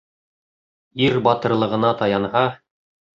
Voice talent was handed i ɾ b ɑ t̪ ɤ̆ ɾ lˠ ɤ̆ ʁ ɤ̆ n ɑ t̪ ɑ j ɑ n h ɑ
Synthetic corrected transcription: i ɾ b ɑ t̪ ɤ̆ ɾ lˠ ɤ̆ ʁ ɤ̆ n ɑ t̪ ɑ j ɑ n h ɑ